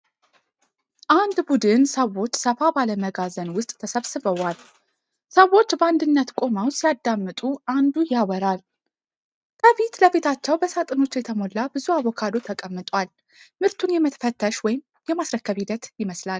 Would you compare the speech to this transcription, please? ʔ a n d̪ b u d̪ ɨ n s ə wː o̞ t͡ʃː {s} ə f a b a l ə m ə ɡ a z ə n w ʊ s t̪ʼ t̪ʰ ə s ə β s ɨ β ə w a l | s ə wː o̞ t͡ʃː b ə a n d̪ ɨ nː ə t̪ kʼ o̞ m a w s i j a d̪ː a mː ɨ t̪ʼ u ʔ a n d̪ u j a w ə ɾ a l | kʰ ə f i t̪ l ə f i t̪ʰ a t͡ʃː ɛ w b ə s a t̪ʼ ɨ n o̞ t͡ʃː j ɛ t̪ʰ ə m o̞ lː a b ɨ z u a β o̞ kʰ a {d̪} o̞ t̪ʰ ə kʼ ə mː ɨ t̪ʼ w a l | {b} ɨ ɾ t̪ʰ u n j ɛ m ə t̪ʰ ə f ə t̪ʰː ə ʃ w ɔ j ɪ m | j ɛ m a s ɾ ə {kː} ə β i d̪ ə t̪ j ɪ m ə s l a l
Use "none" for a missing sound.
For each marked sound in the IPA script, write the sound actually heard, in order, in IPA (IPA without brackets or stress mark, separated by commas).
s, d̪, m, kː